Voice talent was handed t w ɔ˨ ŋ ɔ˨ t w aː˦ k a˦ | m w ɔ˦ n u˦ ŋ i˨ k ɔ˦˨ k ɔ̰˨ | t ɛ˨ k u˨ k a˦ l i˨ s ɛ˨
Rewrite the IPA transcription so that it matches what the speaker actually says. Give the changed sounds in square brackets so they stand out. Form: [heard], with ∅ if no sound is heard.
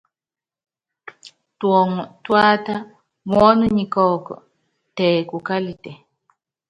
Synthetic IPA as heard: t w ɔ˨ ŋ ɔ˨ t w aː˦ [t] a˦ | m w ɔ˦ n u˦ [ɲ] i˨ k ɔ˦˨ k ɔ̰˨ | t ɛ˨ k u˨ k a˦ l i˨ [t] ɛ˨